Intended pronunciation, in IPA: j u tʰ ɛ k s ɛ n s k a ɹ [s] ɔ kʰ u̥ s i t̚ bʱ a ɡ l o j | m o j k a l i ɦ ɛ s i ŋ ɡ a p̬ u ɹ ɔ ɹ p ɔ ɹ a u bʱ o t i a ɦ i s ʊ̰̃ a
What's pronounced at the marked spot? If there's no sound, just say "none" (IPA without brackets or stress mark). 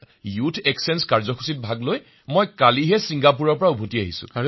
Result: z